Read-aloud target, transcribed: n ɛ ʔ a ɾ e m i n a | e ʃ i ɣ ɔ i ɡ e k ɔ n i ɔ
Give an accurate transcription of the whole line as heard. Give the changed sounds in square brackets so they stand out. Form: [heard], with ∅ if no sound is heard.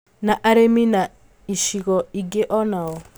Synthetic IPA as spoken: n [a] ʔ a ɾ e m i n a | [i] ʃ i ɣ ɔ i ɡ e [ʔ] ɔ n [a] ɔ